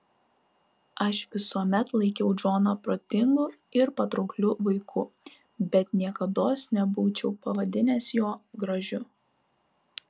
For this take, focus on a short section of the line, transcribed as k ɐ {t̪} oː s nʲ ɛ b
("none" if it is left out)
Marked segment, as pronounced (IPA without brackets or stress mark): d̪